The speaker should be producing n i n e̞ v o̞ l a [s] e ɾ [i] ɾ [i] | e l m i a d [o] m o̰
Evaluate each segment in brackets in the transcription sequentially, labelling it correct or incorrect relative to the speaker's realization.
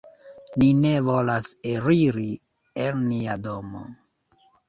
correct, correct, correct, correct

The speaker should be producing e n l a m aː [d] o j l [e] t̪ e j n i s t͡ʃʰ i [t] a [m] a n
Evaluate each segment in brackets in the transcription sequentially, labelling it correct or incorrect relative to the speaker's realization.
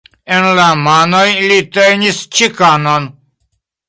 incorrect: n, incorrect: i, incorrect: k, incorrect: n

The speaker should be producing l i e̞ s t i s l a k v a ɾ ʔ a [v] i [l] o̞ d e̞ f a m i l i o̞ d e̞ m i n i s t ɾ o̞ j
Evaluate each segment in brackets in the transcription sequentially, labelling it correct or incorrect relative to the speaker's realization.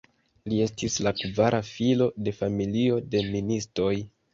incorrect: f, correct

